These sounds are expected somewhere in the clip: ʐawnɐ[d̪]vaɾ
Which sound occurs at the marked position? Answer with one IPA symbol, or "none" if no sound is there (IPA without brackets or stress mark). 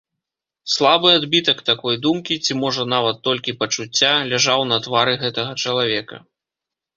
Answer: t̪